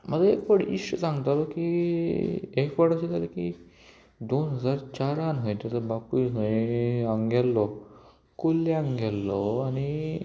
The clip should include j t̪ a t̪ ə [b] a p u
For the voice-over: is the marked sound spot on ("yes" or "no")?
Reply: yes